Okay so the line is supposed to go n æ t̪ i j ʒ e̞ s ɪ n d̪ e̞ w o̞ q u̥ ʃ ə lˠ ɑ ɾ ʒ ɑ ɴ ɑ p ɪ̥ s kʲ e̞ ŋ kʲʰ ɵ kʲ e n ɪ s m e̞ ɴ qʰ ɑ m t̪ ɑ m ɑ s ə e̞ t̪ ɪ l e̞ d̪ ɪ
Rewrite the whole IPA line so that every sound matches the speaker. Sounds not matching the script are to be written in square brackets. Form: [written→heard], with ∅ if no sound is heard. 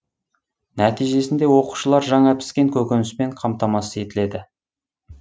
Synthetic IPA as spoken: n æ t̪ i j ʒ e̞ s ɪ n d̪ e̞ w o̞ q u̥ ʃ ə lˠ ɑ ɾ ʒ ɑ ɴ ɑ p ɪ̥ s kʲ e̞ ŋ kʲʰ ɵ kʲ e n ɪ s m e̞ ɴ qʰ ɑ m t̪ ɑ m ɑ s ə e̞ t̪ ɪ l e̞ d̪ ɪ